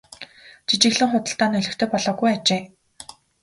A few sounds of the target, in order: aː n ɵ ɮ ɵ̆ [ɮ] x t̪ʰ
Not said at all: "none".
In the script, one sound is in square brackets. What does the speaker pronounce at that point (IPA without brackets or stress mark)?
none